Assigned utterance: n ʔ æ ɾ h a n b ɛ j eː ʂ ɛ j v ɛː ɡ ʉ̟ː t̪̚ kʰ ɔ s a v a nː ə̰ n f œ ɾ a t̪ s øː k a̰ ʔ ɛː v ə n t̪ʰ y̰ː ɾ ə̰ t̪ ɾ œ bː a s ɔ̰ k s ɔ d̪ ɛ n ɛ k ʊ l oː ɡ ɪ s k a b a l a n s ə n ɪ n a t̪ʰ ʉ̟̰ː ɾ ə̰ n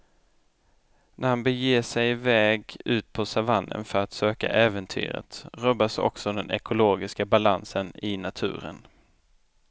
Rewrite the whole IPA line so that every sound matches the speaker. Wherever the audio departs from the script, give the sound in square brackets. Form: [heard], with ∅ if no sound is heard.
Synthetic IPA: n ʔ æ ɾ h a n b ɛ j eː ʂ ɛ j v ɛː ɡ ʉ̟ː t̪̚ [pʰ] ɔ s a v a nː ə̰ n f œ ɾ a t̪ s øː k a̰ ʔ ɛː v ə n t̪ʰ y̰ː ɾ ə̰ t̪ ɾ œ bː a s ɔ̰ k s ɔ d̪ ɛ n ɛ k ʊ l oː ɡ ɪ s k a b a l a n s ə n ɪ n a t̪ʰ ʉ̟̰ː ɾ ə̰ n